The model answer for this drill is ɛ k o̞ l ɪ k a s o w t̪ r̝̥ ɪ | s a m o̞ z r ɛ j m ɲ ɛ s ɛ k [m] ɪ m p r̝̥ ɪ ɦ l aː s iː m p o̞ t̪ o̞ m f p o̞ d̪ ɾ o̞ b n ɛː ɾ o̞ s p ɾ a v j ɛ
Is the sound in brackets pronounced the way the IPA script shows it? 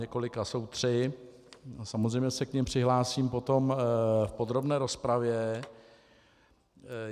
no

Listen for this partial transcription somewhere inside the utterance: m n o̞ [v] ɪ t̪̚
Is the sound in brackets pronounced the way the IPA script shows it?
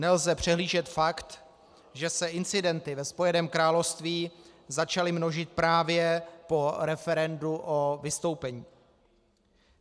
no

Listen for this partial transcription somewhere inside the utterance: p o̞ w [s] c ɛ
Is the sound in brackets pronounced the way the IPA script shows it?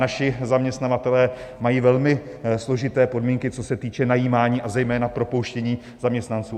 no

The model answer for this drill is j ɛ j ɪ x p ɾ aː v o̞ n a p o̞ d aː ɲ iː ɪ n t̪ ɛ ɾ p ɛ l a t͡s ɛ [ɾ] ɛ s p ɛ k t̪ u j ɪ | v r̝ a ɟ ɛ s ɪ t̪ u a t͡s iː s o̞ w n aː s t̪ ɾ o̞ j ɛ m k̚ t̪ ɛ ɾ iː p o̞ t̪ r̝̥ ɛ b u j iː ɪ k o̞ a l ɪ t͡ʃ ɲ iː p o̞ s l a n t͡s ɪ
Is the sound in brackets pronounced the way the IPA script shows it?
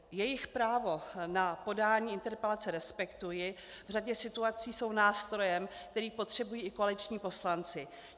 yes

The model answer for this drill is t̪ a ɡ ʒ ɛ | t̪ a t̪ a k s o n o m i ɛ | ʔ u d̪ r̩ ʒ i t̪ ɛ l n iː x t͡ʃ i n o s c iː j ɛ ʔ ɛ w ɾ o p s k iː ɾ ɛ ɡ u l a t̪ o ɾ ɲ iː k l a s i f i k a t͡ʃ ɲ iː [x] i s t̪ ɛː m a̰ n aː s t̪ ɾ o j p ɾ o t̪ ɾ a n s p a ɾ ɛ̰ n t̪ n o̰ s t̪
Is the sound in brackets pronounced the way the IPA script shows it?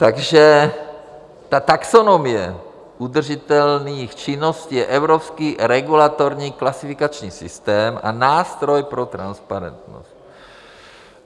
no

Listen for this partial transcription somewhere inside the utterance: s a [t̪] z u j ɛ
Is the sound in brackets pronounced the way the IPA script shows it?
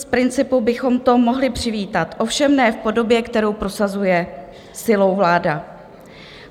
no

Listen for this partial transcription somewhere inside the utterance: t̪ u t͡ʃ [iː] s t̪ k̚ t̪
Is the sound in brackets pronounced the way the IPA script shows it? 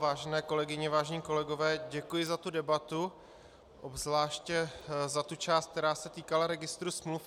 no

